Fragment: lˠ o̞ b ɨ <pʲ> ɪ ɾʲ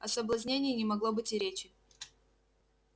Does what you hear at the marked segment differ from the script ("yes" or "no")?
yes